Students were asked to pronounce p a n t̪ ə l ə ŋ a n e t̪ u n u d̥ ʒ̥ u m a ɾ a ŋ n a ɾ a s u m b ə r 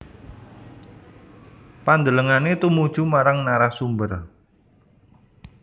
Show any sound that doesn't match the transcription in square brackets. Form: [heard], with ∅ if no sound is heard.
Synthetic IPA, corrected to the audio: p a n [d̪] ə l ə ŋ a n e t̪ u [m] u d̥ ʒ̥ u m a ɾ a ŋ n a ɾ a s u m b ə r